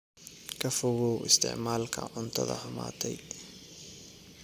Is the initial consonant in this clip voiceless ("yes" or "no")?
yes